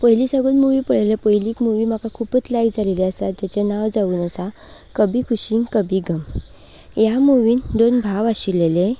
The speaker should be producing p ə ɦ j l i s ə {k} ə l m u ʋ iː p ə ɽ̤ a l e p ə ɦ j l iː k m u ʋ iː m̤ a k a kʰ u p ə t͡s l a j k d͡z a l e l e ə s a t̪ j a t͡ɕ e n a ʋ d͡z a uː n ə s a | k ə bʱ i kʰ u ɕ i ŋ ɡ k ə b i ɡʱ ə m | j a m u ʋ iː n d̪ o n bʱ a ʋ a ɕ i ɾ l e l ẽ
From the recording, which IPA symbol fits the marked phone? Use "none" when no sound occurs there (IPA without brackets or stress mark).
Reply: ɡ